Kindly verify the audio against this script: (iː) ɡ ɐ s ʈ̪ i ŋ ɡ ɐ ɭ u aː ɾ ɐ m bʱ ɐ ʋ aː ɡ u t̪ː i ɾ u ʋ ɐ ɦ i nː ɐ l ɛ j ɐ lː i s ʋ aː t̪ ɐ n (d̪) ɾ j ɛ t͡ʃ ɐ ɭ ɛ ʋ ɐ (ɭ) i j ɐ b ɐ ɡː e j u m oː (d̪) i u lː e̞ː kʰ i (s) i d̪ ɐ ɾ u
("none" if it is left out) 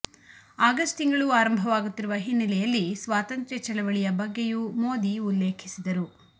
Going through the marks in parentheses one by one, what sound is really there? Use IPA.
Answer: aː, t̪, ɭ, d̪, s

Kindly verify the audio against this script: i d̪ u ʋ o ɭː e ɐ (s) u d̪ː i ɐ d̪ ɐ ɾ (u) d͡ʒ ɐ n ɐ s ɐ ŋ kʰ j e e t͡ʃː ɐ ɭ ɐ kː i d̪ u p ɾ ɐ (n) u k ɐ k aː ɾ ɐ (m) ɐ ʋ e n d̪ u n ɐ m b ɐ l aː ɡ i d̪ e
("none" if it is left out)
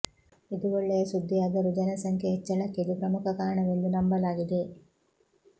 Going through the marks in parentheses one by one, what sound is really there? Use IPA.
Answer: s, u, m, ɳ

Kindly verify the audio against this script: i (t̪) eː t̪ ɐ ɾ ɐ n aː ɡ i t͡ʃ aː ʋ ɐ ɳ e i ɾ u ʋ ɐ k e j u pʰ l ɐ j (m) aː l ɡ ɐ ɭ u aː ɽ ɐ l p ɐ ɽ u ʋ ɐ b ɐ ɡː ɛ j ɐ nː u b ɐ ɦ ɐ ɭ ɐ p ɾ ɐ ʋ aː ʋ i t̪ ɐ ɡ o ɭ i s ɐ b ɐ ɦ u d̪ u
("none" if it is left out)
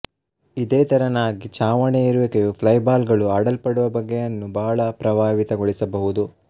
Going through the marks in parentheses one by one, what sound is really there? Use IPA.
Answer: d̪, b

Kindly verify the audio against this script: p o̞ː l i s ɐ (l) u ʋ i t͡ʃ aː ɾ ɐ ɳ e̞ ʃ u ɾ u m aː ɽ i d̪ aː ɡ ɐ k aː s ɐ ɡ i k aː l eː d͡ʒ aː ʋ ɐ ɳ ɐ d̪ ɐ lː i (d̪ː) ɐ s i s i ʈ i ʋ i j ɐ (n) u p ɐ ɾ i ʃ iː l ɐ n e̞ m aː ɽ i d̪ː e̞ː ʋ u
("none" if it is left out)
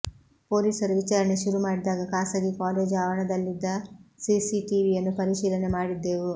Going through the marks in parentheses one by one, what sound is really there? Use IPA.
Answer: ɾ, d̪ː, nː

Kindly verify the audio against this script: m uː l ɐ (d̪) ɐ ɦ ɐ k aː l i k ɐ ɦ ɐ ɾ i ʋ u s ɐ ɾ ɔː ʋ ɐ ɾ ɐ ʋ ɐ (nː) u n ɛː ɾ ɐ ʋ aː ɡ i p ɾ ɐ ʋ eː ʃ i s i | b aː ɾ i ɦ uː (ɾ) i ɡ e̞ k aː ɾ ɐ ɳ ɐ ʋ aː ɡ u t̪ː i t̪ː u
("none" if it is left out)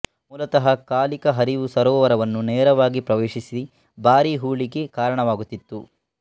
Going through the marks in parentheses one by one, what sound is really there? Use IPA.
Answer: t̪, nː, ɭ

